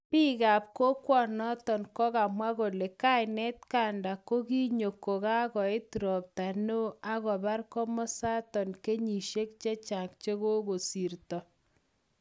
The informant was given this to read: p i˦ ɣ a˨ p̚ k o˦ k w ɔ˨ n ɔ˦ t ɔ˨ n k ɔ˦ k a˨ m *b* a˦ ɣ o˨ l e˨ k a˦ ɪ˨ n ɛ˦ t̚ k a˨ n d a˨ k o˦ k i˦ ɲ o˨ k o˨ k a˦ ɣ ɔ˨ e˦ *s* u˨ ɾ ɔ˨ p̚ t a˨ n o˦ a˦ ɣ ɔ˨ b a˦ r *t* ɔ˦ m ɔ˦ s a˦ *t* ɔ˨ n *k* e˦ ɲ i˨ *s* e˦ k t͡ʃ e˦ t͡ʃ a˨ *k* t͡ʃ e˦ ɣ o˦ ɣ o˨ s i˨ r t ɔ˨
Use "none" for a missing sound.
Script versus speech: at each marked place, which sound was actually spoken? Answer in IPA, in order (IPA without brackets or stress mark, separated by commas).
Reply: w, t, k, t, k, ʃ, k